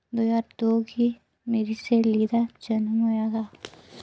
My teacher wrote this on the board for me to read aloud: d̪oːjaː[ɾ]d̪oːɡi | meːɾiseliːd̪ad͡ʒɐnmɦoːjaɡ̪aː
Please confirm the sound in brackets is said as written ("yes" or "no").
yes